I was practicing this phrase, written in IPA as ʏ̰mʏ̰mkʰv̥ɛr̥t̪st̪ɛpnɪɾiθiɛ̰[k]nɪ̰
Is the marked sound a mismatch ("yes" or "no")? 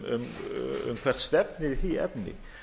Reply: yes